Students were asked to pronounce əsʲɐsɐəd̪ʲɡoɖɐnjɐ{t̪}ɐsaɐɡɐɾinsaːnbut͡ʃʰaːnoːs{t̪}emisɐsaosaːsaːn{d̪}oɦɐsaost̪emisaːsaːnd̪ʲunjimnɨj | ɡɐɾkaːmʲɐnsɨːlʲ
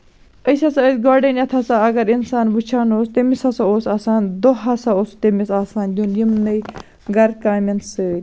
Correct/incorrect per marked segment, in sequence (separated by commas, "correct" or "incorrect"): incorrect, correct, correct